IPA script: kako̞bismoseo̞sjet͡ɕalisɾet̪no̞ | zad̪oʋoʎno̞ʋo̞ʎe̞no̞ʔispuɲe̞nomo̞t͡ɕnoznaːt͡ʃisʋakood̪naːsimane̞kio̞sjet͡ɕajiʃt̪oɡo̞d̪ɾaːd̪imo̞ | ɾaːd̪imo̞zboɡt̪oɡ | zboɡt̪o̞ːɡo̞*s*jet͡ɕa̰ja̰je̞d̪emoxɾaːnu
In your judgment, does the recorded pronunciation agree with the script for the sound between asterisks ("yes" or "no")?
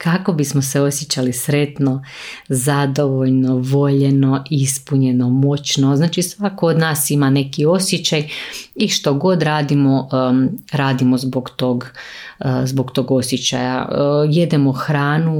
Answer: yes